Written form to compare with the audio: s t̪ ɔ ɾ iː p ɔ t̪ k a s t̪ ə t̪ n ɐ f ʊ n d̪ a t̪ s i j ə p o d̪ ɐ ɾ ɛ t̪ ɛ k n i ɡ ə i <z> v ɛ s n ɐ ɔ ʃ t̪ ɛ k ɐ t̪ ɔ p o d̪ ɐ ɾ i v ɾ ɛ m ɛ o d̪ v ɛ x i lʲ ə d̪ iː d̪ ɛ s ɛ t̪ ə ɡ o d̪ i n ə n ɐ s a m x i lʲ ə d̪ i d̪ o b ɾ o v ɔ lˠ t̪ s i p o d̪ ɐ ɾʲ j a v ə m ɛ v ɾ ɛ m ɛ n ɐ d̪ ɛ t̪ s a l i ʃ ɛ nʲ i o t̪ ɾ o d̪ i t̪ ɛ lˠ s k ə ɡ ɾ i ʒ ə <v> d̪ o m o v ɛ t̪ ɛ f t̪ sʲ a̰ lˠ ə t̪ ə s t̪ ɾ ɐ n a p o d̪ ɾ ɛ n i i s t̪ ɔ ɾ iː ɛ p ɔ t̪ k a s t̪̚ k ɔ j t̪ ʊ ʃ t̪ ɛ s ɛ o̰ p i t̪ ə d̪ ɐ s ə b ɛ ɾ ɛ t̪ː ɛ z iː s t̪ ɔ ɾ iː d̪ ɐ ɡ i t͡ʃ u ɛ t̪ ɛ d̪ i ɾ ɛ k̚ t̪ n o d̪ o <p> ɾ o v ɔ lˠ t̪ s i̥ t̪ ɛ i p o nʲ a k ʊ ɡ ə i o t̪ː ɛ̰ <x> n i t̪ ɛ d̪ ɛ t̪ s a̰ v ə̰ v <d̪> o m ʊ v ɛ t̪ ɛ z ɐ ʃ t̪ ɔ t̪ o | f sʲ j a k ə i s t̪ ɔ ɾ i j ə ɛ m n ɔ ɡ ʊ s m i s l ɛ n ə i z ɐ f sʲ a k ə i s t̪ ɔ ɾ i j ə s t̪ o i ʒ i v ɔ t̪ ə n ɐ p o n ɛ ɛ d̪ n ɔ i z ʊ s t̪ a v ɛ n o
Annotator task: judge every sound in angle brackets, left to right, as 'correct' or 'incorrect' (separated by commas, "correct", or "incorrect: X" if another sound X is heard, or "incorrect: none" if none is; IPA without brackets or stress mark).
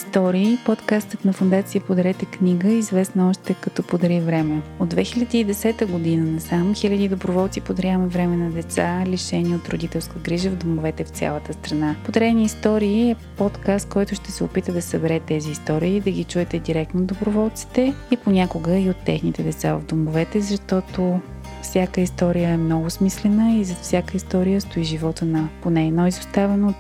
correct, correct, incorrect: b, correct, correct